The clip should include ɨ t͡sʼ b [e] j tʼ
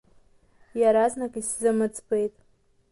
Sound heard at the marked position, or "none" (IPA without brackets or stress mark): e